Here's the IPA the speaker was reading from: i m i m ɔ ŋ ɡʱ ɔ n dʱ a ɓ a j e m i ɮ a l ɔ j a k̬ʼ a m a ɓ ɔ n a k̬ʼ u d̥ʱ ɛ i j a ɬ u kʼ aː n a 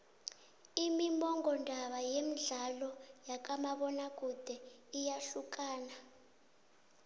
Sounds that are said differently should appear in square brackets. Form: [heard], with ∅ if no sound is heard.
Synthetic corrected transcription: i m i m ɔ ŋ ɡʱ ɔ n dʱ a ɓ a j e m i ɮ a l ɔ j a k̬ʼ a m a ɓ ɔ n a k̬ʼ u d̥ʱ ɛ i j a ɬ u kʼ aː n a